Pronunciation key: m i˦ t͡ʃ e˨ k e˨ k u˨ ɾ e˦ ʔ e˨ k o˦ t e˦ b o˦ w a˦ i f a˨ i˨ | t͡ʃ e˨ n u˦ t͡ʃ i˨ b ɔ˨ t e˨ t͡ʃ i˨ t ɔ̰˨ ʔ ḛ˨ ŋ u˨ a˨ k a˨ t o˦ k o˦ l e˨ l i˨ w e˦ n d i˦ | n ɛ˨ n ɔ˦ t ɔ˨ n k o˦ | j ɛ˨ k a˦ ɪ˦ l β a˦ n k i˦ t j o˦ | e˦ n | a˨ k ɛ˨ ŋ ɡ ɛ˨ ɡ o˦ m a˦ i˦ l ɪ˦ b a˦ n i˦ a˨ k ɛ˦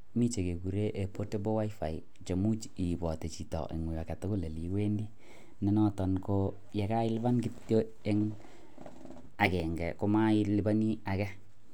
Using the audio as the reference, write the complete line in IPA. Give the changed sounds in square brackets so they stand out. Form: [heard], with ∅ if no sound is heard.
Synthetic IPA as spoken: m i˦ t͡ʃ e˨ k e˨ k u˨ ɾ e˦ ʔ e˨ [p] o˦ t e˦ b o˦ w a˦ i f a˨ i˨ | t͡ʃ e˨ [m] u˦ t͡ʃ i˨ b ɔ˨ t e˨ t͡ʃ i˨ t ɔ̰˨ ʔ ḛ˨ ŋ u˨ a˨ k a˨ t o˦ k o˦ l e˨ l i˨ w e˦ n d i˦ | n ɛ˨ n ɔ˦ t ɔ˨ n k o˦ | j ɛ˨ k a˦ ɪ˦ l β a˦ n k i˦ t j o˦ | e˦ [ŋ] | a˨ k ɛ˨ ŋ ɡ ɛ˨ [k] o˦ m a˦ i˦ l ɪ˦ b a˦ n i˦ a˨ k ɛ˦